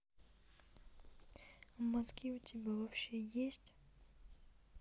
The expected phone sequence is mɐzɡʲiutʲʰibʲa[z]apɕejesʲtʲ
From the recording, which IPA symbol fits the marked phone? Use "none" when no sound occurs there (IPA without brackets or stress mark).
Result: v